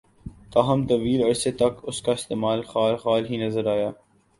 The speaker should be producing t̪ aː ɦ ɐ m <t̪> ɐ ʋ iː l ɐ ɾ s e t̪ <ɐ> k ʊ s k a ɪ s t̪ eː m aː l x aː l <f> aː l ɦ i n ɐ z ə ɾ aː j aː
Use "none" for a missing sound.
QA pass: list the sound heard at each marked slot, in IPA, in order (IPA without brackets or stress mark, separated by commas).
t̪, ɐ, x